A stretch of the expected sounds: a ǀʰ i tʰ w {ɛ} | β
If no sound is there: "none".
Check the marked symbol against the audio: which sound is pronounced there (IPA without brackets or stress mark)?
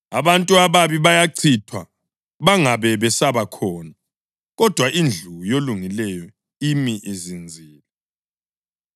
a